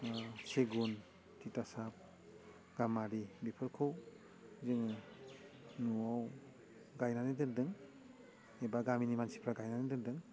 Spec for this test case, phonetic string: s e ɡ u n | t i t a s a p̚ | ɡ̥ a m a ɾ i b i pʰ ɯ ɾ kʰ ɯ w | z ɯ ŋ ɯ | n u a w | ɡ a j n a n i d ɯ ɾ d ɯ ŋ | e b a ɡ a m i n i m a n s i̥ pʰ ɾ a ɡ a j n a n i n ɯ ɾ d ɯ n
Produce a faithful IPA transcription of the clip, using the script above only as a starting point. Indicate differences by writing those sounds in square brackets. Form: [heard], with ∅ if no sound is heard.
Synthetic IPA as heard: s e ɡ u n | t i t a s a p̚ | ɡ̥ a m a ɾ i b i pʰ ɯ ɾ kʰ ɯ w | z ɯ ŋ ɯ | n u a w | ɡ a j n a n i d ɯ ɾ d ɯ ŋ | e b a ɡ a m i n i m a n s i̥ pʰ ɾ a ɡ a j n a n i [d] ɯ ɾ d ɯ [ŋ]